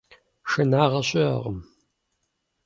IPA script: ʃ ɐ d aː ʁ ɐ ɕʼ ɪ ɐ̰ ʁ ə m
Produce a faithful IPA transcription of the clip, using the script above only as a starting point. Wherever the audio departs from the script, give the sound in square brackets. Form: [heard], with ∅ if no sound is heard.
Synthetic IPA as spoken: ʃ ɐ [n] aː ʁ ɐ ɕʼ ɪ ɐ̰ ʁ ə m